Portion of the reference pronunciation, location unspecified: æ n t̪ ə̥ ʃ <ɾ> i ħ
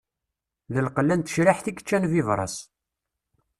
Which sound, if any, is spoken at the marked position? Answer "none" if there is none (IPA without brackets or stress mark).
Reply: ɾ